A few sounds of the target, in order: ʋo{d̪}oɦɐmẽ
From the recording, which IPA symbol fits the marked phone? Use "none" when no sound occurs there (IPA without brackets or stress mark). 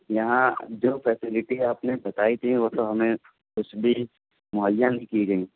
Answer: t̪